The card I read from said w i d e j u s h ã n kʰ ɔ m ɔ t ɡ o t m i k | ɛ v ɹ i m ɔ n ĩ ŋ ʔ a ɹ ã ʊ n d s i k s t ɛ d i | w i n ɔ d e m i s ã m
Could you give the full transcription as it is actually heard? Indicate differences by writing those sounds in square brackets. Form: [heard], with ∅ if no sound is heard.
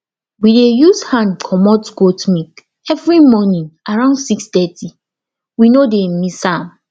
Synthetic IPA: w i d e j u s h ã n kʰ ɔ m ɔ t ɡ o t m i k | ɛ v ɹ i m ɔ n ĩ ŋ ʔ a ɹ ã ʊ n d s i k s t ɛ [t] i | w i n [o] d e m i s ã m